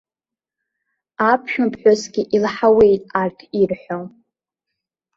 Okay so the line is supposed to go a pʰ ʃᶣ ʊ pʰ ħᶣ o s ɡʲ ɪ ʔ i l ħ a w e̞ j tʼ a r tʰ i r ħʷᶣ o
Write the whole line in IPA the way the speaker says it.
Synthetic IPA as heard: a pʰ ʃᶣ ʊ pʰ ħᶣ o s ɡʲ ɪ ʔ i l ħ a w e̞ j tʼ a r tʰ i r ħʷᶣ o